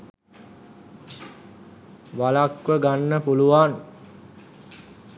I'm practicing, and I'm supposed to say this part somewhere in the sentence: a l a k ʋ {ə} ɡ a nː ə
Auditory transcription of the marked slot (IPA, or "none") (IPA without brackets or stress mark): ə